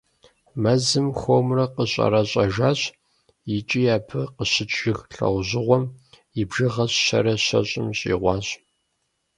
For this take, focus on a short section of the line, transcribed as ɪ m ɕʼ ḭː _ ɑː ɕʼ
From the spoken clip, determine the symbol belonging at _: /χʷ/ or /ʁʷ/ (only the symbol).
ʁʷ